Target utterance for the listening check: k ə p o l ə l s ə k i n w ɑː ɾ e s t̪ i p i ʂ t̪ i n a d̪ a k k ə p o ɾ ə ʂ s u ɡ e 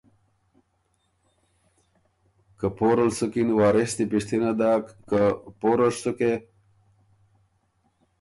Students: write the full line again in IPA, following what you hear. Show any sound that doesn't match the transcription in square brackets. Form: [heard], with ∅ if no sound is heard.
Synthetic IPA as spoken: k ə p o [ɾ] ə l s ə k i n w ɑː ɾ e s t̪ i p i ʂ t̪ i n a d̪ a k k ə p o ɾ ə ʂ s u [k] e